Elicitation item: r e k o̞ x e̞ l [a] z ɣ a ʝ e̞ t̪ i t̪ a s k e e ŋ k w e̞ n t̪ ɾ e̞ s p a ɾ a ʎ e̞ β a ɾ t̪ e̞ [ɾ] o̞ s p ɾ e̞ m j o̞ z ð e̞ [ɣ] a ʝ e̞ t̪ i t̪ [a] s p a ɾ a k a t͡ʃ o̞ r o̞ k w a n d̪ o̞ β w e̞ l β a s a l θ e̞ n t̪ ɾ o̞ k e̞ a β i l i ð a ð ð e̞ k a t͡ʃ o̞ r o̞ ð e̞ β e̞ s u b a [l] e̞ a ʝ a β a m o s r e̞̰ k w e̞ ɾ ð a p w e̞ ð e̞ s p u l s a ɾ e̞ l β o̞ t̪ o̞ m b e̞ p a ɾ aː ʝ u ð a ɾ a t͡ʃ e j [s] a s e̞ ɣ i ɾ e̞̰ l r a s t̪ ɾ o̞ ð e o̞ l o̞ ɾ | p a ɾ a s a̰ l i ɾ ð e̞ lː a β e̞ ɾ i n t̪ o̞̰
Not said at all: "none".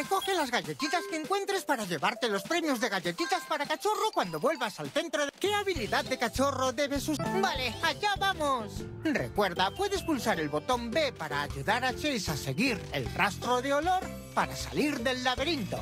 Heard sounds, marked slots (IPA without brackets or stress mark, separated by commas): a, l, ɣ, a, l, s